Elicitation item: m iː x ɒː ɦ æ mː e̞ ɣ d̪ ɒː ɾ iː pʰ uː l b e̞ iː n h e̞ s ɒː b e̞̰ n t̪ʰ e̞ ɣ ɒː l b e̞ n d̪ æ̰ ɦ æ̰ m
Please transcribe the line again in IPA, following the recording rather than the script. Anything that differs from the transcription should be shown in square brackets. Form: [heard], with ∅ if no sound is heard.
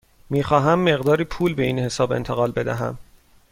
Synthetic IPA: m iː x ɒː ɦ æ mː e̞ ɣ d̪ ɒː ɾ iː pʰ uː l b e̞ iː n h e̞ s ɒː b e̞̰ n t̪ʰ e̞ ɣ ɒː l b e̞ [∅] d̪ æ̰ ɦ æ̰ m